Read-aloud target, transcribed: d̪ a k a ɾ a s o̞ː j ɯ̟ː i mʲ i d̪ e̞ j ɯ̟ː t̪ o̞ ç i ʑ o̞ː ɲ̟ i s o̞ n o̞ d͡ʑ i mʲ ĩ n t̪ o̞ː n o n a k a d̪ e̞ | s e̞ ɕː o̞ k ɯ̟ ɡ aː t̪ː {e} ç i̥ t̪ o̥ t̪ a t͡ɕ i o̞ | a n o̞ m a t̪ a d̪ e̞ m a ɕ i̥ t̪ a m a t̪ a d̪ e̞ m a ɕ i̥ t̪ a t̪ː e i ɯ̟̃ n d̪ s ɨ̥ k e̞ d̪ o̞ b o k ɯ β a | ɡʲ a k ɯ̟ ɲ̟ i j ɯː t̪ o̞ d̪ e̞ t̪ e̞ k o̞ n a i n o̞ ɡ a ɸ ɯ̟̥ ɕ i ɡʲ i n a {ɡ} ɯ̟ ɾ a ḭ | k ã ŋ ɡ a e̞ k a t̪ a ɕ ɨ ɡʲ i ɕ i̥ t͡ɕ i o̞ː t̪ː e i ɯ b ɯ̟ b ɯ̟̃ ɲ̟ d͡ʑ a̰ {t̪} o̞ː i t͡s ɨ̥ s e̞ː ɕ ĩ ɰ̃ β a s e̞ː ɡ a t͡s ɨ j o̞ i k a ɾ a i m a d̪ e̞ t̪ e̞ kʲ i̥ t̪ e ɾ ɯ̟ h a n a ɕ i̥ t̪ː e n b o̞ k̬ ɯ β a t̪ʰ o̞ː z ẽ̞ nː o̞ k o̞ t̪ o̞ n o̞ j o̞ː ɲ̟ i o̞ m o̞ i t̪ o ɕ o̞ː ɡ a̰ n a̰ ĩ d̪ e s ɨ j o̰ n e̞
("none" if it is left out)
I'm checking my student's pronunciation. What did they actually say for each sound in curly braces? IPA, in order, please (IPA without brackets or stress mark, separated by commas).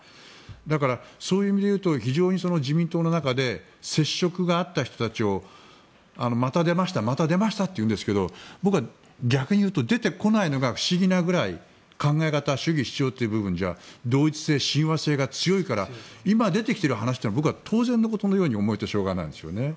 a, ɡ, d̪